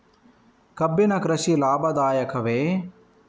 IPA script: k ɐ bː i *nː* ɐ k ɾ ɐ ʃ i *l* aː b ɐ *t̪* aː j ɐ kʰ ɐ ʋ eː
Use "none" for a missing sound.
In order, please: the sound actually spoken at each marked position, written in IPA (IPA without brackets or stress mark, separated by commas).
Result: n, l, d̪